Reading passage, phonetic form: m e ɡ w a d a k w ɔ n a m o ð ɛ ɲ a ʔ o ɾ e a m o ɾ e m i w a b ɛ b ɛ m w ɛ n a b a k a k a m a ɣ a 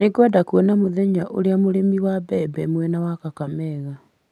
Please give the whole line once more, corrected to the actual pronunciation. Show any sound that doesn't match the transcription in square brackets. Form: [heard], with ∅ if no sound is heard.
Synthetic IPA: [n] e ɡ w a d a k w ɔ n a m o ð ɛ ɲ a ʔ o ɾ e a m o ɾ e m i w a b ɛ b ɛ m w ɛ n a [w] a k a k a m [ɛ] ɣ a